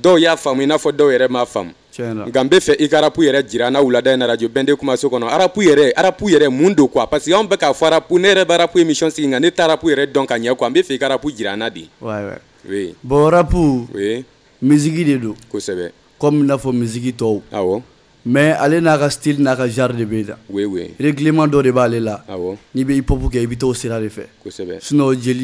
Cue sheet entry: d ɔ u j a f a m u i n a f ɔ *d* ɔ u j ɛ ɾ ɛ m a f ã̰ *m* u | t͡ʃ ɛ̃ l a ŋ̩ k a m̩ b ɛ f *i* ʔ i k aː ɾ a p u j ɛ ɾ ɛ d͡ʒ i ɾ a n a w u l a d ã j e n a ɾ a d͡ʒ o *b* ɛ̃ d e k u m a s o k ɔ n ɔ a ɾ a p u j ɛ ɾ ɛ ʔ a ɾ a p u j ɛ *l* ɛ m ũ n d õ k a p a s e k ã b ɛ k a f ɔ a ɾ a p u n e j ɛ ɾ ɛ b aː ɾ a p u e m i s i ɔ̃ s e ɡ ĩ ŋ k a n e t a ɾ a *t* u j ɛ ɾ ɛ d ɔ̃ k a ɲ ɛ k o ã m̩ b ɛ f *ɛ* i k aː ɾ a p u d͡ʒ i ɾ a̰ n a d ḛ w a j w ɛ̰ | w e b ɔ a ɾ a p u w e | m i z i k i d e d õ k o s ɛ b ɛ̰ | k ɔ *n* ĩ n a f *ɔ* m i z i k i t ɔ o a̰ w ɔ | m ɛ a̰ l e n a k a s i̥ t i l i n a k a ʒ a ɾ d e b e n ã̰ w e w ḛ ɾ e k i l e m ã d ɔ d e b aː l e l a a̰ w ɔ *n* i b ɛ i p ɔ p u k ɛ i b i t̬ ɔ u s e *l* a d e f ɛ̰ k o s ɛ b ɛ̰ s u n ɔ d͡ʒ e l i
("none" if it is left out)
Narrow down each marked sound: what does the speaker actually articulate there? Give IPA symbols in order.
d, m, ɛ, b, ɾ, p, ɛ, m, ɔ, n, ɾ

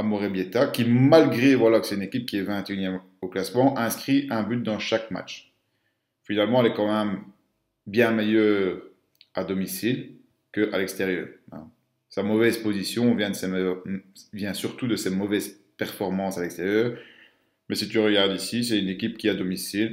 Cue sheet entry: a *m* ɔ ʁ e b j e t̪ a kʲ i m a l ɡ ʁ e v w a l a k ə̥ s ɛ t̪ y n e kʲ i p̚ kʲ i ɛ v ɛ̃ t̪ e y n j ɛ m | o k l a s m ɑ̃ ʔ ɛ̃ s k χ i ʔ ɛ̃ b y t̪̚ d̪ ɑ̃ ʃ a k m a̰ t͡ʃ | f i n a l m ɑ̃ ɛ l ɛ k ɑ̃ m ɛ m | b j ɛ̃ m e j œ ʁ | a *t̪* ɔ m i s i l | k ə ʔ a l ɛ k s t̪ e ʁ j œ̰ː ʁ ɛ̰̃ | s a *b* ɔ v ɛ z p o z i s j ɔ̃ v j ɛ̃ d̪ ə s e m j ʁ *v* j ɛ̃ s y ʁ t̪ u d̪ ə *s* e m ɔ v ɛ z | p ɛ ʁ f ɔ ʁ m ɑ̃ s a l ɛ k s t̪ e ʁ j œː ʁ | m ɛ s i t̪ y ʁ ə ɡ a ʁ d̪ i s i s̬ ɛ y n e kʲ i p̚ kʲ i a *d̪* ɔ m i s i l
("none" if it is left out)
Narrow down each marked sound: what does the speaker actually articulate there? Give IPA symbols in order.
m, d̪, m, v, s, d̪

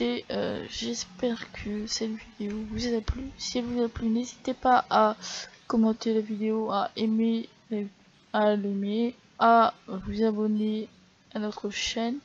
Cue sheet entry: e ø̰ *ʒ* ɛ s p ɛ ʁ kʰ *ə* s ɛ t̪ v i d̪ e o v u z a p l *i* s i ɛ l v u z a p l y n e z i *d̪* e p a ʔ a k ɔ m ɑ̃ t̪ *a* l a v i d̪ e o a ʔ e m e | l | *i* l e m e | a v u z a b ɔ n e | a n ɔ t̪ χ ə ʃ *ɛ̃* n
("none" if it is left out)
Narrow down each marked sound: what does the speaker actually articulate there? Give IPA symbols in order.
ʒ, ə, y, t̪, e, a, ɛ

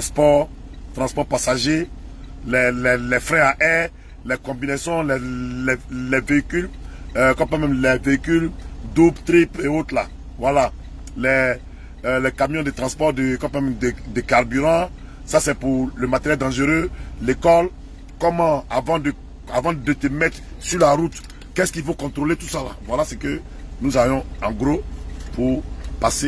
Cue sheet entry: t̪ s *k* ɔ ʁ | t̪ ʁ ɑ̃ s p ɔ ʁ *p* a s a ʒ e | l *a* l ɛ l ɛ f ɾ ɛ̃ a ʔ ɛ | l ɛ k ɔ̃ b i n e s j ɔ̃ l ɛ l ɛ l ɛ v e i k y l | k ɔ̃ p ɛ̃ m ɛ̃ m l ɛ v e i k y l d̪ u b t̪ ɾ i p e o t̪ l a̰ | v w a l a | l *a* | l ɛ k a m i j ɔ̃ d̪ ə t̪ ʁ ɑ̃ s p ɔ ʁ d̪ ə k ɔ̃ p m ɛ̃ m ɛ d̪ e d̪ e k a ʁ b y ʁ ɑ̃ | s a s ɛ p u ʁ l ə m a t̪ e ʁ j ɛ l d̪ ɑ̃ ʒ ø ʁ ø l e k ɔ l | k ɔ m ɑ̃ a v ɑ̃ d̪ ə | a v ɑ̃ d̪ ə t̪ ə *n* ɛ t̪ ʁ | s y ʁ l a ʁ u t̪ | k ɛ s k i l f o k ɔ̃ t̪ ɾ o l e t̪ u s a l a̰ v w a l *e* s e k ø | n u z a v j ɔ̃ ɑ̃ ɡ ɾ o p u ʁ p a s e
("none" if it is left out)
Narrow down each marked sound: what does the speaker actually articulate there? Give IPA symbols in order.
p, p, ɛ, ɛ, m, a

